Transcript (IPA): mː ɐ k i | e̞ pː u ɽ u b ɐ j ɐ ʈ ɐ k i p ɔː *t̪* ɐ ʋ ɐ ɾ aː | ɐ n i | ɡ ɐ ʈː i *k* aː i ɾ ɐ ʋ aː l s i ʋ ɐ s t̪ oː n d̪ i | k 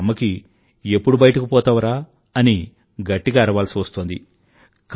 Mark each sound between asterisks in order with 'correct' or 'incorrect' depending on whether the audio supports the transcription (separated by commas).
correct, incorrect